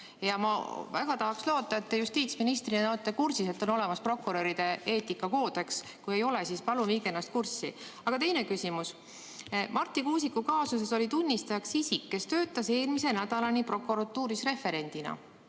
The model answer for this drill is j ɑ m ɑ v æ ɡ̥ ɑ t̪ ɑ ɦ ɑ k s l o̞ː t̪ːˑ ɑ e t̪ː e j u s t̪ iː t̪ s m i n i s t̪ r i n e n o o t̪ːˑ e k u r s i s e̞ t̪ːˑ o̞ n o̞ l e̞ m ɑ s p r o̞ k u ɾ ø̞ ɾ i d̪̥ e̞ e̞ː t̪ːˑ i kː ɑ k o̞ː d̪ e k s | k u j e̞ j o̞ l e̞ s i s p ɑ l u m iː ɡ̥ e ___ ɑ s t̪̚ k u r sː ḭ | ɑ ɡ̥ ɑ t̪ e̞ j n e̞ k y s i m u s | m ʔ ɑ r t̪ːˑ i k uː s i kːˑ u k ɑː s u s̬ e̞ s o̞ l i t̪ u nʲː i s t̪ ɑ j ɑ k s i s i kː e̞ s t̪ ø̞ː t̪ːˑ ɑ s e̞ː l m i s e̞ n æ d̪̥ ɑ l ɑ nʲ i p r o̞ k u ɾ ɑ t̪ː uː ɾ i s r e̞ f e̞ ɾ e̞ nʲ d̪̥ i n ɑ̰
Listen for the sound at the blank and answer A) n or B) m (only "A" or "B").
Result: A